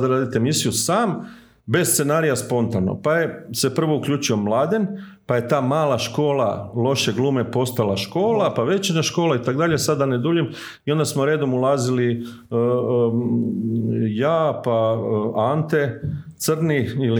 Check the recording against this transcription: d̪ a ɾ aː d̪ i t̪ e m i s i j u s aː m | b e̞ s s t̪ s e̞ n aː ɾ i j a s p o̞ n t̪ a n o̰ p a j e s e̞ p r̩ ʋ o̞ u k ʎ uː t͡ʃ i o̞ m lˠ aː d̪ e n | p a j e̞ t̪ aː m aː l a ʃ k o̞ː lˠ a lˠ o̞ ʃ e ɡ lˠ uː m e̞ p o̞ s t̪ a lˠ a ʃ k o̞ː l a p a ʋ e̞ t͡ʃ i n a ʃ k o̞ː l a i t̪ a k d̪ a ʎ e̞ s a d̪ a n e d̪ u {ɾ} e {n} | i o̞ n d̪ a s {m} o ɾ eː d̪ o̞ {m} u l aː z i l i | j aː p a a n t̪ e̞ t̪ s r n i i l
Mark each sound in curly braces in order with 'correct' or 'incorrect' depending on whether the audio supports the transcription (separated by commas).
incorrect, incorrect, correct, correct